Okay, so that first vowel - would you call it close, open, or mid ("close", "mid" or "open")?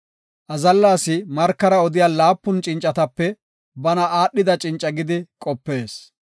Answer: open